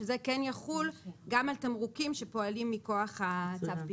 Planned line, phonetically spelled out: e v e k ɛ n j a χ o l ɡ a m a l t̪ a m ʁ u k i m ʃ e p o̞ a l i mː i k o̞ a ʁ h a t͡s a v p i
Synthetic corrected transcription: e z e k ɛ n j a χ u l ɡ a m a l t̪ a m ʁ u k i m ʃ e p o̞ a l i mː i k o̞ a χ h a t͡s a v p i